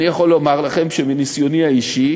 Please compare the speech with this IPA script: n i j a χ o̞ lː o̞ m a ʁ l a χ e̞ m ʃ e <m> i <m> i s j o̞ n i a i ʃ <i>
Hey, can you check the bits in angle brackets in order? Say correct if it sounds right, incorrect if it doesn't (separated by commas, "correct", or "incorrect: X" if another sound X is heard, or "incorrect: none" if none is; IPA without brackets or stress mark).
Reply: correct, incorrect: n, correct